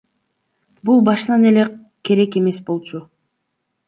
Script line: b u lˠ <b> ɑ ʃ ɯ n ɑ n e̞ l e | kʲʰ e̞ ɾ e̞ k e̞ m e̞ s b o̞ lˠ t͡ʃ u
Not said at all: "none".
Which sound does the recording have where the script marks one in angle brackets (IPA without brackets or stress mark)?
b